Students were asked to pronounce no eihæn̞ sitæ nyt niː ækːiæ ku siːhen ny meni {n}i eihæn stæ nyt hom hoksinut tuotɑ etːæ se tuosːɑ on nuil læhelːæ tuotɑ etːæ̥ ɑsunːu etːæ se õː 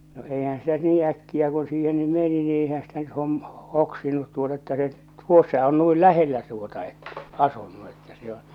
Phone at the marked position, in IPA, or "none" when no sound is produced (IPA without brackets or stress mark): n